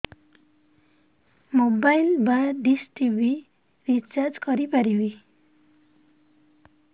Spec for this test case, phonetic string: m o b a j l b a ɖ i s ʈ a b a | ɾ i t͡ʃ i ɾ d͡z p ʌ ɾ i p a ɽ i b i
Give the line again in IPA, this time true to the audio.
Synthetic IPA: m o b a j l b a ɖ i s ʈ i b i | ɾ i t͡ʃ a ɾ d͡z k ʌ ɾ i p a ɾ i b i